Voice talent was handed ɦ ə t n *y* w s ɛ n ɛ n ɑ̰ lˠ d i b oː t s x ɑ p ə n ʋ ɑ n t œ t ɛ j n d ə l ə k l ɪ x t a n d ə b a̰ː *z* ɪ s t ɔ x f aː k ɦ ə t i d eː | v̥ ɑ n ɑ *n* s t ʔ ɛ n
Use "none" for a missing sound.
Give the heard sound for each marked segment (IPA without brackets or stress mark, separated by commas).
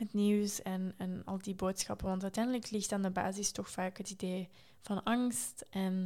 i, z, ŋ